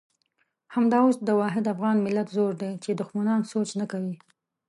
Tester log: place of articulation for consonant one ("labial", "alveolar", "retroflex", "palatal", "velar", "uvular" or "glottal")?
glottal